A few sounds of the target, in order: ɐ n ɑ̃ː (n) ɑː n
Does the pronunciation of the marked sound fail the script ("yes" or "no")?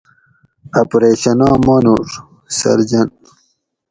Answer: yes